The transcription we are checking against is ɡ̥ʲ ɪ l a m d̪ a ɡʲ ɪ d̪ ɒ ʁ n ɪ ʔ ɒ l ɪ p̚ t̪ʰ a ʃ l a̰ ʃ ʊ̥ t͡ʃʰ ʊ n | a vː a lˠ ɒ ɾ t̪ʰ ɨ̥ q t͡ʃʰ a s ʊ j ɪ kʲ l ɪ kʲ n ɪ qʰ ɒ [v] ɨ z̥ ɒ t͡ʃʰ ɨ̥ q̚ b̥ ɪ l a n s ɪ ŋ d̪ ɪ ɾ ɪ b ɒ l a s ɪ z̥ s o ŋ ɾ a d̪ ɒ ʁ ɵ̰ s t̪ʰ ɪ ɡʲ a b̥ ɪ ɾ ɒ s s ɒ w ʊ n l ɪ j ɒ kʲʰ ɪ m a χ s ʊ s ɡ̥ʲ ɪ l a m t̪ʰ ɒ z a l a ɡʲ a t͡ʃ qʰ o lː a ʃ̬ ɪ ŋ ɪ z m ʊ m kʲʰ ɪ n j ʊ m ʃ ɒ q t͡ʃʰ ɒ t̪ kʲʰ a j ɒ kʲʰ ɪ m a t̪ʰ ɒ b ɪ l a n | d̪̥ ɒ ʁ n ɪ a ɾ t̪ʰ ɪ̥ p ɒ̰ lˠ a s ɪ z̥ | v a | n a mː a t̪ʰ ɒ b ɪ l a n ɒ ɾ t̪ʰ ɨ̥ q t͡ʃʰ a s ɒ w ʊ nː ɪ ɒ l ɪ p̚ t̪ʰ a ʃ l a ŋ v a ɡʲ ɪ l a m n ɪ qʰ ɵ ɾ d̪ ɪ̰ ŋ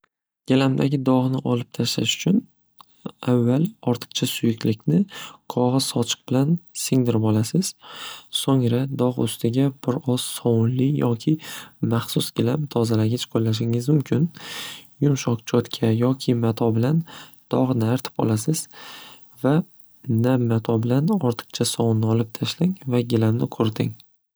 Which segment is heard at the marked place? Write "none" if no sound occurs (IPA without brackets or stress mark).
ʁ